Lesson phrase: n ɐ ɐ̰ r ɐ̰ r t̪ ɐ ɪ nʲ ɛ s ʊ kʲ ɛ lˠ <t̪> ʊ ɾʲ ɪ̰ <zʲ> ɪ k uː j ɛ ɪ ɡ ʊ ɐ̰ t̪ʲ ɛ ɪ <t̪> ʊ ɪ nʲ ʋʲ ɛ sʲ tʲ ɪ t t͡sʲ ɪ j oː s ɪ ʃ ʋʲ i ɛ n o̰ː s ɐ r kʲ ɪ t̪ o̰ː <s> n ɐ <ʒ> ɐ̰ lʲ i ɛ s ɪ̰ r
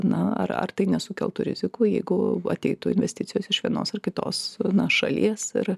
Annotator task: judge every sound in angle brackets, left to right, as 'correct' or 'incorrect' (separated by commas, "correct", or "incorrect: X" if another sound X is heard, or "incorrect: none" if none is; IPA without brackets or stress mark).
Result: correct, correct, correct, correct, incorrect: ʃ